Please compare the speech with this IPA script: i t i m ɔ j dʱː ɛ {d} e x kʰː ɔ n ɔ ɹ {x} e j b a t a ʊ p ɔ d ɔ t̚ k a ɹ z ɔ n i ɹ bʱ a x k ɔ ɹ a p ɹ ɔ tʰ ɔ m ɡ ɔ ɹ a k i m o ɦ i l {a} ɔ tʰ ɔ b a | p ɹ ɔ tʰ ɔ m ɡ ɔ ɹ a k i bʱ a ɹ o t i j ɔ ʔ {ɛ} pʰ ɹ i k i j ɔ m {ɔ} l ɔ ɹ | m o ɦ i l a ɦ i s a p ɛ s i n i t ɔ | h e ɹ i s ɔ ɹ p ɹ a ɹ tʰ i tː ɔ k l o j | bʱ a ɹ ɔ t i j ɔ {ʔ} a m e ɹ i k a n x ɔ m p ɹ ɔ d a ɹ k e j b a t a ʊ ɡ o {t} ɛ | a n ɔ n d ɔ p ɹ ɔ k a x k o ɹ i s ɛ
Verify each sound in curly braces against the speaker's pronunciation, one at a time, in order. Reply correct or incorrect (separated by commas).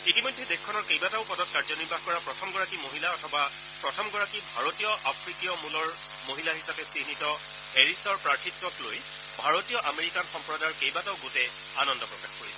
correct, incorrect, correct, incorrect, incorrect, correct, correct